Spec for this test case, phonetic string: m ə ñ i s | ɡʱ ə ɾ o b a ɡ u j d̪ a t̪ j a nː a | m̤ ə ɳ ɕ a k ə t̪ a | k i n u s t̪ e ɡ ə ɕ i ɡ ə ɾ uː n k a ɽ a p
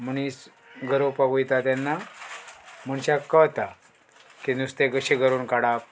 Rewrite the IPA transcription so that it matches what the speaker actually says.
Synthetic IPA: m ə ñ i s | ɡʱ ə ɾ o p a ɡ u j t̪ a t̪ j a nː a | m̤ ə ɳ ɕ a k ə t̪ a | k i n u s t̪ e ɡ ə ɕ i ɡ ə ɾ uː n k a ɽ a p